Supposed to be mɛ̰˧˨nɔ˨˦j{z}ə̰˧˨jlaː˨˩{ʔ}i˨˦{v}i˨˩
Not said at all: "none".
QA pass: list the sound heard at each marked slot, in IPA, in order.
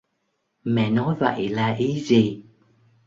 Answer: v, ʔ, z

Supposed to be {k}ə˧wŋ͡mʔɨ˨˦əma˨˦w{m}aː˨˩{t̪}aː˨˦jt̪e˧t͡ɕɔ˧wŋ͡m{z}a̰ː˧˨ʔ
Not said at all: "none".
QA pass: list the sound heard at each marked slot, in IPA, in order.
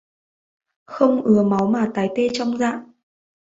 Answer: x, m, t̪, z

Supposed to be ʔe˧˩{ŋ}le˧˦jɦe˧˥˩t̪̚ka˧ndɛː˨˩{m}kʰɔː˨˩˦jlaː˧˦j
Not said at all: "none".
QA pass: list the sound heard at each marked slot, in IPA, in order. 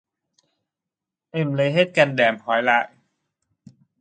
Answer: m, m

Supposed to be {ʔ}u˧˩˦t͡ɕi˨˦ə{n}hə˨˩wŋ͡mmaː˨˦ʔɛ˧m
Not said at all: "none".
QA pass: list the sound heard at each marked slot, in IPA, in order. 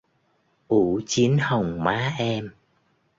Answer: ʔ, n

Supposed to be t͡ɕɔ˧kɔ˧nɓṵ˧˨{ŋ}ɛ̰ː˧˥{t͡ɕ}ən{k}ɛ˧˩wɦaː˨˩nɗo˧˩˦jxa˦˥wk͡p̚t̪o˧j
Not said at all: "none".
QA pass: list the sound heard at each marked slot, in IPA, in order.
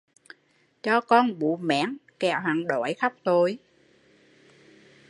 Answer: m, none, k

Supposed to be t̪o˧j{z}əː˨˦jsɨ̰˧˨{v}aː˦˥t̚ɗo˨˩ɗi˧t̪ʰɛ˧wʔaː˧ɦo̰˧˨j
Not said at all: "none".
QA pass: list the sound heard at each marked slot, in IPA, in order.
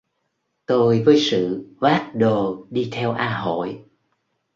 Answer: v, v

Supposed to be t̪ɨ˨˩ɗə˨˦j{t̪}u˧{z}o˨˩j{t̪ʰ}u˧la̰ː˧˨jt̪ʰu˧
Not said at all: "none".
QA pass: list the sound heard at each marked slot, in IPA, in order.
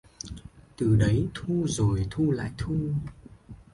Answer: t̪ʰ, z, t̪ʰ

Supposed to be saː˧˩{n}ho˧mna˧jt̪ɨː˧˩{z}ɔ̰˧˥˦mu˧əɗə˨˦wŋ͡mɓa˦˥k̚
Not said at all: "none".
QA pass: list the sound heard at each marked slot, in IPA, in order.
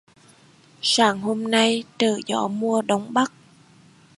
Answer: ŋ, z

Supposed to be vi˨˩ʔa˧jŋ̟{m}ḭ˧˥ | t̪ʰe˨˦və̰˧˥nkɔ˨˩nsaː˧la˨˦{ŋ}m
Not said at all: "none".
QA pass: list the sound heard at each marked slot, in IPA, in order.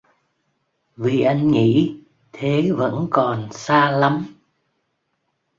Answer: ŋ, none

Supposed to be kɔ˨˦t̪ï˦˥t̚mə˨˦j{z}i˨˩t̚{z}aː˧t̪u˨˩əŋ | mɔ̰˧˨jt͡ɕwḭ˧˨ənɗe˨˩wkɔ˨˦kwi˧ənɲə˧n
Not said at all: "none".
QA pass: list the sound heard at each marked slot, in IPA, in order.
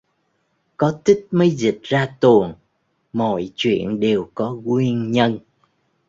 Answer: z, z

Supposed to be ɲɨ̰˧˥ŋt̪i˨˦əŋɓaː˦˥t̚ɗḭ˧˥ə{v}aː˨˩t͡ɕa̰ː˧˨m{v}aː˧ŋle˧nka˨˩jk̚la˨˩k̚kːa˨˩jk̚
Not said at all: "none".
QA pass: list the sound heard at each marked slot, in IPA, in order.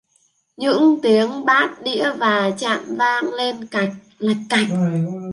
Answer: v, v

